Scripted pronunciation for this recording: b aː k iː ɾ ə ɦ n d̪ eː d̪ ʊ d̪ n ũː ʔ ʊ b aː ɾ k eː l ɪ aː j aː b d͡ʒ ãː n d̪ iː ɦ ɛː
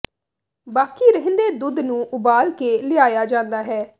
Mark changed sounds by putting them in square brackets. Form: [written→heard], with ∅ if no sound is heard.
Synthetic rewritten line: b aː k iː ɾ ə ɦ n d̪ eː d̪ ʊ d̪ n ũː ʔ ʊ b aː [ɾ→l] k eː l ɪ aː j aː [b→∅] d͡ʒ ãː n d̪ [iː→aː] ɦ ɛː